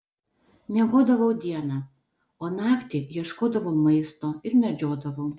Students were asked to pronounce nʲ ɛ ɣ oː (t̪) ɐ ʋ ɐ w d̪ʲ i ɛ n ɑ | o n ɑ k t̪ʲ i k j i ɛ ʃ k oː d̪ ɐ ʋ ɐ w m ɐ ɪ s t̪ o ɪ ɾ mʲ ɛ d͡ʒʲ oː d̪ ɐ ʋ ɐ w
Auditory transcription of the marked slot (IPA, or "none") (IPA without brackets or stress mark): d̪